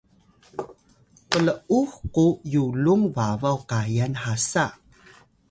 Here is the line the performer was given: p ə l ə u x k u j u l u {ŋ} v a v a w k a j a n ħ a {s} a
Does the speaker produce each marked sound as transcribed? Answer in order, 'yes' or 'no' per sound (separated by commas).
yes, yes